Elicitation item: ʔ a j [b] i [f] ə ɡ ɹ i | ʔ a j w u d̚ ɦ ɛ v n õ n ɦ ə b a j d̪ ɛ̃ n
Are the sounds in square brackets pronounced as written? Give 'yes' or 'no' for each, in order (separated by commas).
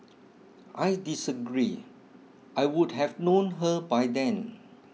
no, no